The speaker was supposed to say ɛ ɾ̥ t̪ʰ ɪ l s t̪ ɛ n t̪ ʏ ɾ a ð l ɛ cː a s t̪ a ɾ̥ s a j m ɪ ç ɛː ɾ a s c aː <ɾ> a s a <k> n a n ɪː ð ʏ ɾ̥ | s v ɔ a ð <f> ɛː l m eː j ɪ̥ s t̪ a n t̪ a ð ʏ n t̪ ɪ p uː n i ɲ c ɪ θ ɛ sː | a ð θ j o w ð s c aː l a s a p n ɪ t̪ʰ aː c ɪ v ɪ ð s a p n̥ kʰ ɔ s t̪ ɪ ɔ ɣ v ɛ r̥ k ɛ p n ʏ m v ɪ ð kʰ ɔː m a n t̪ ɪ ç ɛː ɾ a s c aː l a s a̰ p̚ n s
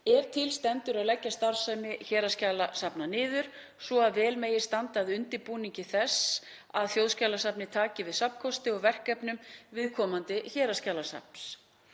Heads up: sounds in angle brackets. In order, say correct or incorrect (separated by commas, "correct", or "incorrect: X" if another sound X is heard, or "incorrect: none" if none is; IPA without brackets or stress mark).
incorrect: l, incorrect: p, incorrect: v